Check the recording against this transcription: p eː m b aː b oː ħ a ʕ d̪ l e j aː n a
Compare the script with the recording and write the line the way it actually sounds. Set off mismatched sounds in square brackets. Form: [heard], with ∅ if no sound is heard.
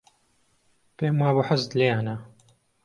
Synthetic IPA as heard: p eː m [w] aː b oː ħ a [z] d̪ l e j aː n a